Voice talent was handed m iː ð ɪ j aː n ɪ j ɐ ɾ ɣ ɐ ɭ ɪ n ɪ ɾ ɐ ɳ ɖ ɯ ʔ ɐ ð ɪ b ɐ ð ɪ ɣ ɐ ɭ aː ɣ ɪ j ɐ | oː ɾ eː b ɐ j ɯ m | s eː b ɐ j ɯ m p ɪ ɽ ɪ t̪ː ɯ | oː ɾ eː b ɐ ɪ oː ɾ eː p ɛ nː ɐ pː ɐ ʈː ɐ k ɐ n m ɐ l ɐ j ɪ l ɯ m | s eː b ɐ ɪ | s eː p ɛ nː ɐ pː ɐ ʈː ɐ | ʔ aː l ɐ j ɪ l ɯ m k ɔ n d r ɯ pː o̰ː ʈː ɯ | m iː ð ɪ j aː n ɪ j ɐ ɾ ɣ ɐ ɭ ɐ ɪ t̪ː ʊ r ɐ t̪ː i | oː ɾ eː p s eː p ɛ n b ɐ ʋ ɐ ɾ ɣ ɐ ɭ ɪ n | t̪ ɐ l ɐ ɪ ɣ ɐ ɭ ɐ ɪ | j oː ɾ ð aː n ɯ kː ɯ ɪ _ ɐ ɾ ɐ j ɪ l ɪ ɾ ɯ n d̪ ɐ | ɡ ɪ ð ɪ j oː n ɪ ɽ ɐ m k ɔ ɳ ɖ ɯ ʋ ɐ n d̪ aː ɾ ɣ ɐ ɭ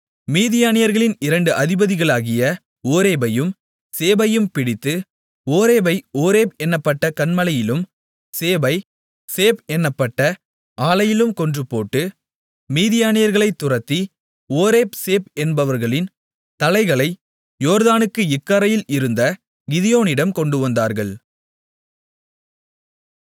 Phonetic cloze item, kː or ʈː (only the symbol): kː